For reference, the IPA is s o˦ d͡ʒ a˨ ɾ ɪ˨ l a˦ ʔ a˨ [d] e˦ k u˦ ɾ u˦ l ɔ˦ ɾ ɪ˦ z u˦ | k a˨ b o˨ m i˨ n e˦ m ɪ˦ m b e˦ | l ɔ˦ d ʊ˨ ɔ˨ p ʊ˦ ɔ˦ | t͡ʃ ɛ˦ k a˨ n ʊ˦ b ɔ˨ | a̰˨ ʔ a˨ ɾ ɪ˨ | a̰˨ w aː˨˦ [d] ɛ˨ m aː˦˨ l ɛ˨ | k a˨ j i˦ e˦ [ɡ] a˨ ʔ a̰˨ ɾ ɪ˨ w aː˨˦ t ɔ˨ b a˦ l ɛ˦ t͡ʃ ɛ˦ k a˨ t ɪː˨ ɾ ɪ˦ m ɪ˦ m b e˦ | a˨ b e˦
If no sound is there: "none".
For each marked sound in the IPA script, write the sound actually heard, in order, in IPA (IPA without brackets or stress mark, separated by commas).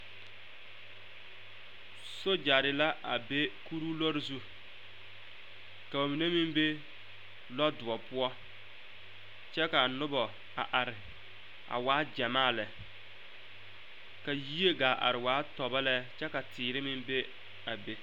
b, d͡ʒ, ɡ